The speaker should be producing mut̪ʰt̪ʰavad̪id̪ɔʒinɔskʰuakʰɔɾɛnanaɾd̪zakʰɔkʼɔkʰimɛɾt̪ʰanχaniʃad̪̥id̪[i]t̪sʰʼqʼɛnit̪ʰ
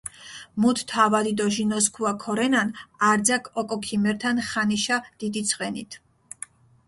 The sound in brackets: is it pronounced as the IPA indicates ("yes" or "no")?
yes